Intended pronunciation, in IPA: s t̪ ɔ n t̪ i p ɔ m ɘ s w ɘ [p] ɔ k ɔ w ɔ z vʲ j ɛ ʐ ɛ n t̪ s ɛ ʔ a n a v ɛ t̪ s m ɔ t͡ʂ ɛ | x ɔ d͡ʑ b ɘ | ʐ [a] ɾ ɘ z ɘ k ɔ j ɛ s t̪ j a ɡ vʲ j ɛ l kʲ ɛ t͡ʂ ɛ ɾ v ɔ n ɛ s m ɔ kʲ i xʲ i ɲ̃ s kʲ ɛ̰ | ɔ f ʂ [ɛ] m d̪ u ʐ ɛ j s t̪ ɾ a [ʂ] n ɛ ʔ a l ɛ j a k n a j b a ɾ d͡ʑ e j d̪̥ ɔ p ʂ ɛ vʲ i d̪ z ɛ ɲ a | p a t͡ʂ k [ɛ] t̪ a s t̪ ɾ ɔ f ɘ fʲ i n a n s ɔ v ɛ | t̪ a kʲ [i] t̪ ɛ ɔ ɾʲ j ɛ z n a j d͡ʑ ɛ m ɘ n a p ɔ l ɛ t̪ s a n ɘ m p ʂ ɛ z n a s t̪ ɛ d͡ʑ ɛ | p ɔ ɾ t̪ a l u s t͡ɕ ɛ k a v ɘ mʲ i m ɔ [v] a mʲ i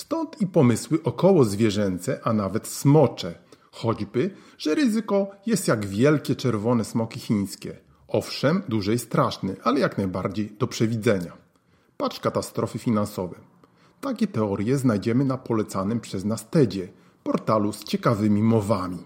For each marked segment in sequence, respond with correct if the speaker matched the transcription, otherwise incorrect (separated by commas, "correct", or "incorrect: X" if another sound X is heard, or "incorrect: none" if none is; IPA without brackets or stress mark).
incorrect: ʔ, incorrect: ɛ, correct, correct, incorrect: a, incorrect: ɛ, correct